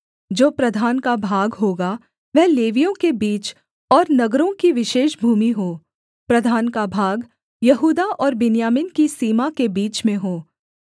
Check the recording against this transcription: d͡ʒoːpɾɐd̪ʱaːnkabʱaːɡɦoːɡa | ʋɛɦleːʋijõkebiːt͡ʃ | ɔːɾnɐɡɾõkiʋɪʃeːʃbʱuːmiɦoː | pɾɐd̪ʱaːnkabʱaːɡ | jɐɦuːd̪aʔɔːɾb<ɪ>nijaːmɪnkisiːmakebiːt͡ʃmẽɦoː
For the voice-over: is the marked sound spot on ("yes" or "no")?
yes